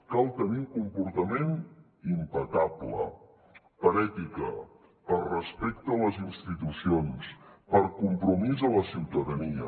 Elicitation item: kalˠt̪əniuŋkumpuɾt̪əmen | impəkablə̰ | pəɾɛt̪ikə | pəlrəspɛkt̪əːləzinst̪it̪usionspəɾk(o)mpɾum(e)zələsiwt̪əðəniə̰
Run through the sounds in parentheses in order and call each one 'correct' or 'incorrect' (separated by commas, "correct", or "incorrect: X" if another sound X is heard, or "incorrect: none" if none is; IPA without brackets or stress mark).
incorrect: u, incorrect: i